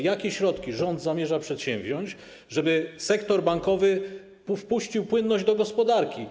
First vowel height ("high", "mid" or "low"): low